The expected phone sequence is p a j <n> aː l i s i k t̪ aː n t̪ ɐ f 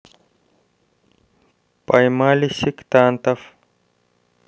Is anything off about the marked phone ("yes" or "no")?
yes